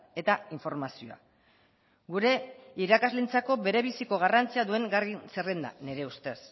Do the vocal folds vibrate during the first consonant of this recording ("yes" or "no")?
no